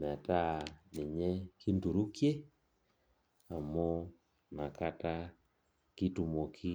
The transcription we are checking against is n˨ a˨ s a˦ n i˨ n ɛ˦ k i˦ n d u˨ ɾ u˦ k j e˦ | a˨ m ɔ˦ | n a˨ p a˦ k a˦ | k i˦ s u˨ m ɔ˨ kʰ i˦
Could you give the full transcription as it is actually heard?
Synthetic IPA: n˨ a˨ t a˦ n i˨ ɲ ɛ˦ k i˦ n d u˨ ɾ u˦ k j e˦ | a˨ m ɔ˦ | n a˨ k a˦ t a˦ | k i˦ t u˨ m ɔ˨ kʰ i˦